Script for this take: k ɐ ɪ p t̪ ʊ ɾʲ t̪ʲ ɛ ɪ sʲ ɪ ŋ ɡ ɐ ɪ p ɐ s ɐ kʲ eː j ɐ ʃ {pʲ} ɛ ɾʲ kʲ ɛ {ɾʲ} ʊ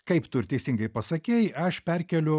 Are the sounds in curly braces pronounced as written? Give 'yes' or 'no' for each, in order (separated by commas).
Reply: yes, no